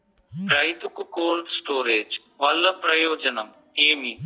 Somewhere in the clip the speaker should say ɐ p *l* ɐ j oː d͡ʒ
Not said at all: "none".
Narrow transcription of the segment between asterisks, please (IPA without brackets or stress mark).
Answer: ɾ